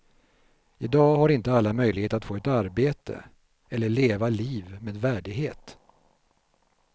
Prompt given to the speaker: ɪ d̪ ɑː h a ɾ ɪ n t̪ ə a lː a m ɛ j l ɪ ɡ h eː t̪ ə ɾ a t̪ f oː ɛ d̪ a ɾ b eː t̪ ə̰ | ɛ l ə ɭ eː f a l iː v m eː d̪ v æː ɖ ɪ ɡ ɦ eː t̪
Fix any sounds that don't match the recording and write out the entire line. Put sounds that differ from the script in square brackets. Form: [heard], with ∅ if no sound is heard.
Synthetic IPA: ɪ d̪ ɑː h a ɾ ɪ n t̪ ə a lː a m [œ] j l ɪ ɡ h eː t̪ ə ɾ a t̪ f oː ɛ [t̪] a ɾ b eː t̪ ə̰ | ɛ [lː] ə ɭ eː [v] a l iː v m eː d̪ v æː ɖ ɪ ɡ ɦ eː t̪